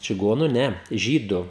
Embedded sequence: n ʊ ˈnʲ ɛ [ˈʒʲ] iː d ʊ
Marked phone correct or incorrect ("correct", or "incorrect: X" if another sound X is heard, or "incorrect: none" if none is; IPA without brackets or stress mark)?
correct